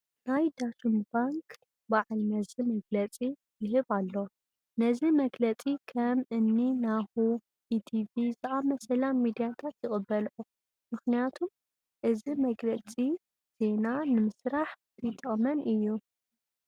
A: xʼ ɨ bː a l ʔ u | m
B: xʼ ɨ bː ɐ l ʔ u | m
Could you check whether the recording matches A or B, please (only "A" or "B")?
B